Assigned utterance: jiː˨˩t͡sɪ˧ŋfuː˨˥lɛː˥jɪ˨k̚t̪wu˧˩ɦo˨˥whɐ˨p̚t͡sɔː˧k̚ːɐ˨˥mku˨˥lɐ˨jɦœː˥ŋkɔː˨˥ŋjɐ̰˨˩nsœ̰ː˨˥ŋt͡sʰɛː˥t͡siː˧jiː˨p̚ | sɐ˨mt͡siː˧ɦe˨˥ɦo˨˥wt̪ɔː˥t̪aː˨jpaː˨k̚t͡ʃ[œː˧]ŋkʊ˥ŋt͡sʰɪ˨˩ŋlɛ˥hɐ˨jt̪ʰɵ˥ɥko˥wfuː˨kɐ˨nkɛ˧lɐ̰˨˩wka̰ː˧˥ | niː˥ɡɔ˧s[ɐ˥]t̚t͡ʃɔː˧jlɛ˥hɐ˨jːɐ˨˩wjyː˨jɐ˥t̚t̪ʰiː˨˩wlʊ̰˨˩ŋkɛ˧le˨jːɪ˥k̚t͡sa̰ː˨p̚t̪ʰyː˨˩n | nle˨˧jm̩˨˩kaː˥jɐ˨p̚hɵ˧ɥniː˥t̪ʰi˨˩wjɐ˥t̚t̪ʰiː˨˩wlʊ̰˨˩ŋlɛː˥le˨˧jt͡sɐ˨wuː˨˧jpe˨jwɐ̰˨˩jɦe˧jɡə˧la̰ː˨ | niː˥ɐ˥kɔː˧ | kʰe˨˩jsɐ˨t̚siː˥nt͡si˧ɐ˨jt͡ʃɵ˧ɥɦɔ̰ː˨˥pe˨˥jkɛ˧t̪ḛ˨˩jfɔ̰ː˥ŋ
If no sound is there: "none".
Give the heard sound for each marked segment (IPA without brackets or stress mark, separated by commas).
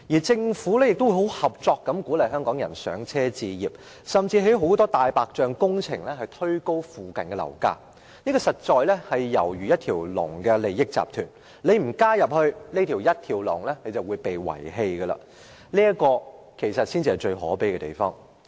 œː˧, ɐ˨